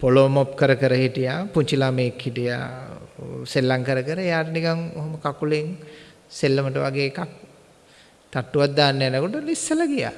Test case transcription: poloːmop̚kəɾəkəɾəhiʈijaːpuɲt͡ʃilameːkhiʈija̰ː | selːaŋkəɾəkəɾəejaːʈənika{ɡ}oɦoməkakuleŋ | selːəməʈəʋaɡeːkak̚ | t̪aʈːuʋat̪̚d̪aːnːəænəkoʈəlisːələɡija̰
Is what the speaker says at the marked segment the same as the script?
no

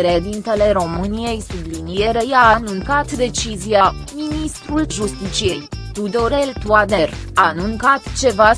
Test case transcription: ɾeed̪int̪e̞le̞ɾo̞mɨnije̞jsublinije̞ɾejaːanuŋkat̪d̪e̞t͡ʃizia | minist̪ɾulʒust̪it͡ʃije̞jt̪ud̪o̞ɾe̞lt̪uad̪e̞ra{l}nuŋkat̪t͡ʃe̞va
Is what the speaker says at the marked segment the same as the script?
no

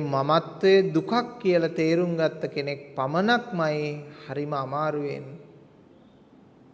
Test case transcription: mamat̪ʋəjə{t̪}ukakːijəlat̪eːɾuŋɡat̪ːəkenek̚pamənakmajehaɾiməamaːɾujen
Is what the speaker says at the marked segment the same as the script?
no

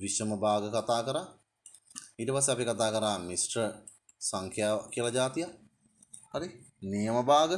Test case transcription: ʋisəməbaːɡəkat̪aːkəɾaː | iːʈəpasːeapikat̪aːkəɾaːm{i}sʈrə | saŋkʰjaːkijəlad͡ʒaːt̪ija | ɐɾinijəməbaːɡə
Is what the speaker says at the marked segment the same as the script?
yes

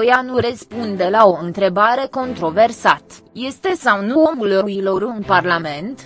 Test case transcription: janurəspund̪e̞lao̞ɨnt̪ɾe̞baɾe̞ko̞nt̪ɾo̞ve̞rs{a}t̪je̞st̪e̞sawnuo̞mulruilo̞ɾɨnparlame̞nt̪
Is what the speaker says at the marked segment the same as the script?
yes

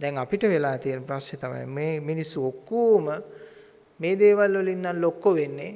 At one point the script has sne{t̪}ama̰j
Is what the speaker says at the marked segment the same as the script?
yes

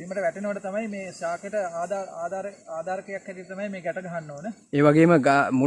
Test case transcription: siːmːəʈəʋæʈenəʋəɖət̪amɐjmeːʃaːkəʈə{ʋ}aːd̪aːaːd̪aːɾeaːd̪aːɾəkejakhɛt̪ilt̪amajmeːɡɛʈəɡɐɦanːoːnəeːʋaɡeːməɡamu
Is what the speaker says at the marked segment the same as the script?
no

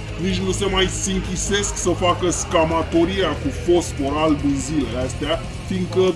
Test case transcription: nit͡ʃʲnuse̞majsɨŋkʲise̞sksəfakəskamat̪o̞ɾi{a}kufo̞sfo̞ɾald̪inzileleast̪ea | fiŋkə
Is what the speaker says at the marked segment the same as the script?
yes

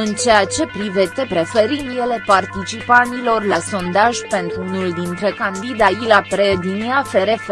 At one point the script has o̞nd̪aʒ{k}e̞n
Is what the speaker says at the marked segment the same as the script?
no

